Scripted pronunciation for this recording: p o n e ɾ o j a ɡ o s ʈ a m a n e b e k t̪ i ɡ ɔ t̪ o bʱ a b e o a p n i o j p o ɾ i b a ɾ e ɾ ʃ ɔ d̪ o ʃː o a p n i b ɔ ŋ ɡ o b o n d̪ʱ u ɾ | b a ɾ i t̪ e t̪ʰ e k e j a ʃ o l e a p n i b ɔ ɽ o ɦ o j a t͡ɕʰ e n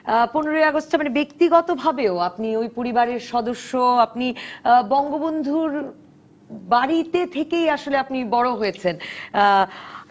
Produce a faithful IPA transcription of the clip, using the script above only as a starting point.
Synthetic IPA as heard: p o n e ɾ o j a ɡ o s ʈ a m a n e b e k t̪ i ɡ ɔ t̪ o bʱ a b e o a p n i o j p o ɾ i b a ɾ e ɾ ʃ ɔ d̪ o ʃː o a p n i b ɔ ŋ ɡ o b o n d̪ʱ u ɾ | b a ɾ i t̪ e t̪ʰ e k e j a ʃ o l e a p n i b ɔ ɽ o ɦ o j e t͡ɕʰ e n